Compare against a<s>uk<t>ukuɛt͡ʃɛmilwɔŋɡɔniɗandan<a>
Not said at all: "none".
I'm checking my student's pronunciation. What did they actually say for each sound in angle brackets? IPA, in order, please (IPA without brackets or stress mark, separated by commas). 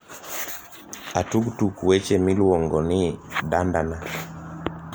t, t, a